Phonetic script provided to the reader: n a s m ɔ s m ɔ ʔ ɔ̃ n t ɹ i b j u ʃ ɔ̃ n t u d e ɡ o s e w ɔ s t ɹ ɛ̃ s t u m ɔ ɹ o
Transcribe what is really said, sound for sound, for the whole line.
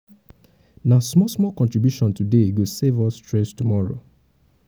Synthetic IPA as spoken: n a s m ɔ s m ɔ k ɔ̃ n t ɹ i b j u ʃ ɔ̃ n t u d e ɡ o s e v ɔ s t ɹ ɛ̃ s t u m ɔ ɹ o